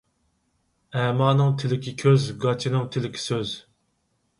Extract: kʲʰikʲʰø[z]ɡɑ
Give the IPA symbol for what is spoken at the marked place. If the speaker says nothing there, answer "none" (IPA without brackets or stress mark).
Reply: z